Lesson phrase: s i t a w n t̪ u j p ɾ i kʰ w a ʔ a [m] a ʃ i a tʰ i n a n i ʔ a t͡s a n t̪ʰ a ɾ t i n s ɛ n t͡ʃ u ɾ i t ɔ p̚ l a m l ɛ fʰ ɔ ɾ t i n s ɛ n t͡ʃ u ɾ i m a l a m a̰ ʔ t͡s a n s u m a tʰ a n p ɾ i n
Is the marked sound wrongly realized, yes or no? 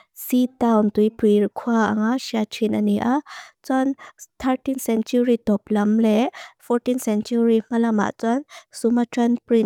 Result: yes